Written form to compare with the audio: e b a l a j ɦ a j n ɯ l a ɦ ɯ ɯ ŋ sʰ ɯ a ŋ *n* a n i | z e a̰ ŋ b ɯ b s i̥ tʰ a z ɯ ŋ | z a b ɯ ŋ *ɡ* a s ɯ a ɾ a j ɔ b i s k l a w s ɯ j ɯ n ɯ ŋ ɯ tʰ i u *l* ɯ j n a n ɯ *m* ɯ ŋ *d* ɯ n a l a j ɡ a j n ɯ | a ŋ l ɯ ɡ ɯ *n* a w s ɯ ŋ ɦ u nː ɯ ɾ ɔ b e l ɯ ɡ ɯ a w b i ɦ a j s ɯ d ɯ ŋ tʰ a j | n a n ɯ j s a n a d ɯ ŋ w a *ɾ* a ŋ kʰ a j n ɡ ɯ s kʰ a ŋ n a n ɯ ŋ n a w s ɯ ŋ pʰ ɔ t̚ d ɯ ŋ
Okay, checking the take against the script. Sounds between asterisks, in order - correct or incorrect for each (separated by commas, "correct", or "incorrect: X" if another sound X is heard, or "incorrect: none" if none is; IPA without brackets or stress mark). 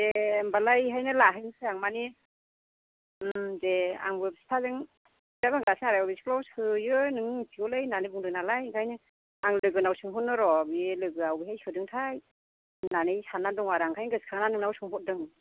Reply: incorrect: m, correct, correct, incorrect: b, correct, correct, correct